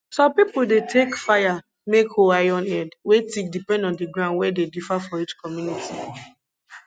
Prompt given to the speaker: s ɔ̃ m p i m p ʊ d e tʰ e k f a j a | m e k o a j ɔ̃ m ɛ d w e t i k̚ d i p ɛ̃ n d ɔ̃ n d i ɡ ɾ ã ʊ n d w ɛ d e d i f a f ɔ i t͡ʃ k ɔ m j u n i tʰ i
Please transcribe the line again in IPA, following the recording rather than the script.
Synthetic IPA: s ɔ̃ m p i p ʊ d e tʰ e k f a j a | m e k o a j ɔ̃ n ɛ d w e t i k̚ d i p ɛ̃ n d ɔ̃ n d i ɡ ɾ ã ʊ n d w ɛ d e d i f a f ɔ i t͡ʃ k ɔ m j u n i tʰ i